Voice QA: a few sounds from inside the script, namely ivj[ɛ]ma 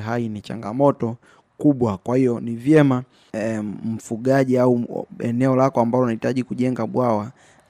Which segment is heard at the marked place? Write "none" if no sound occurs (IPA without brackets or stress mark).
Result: ɛ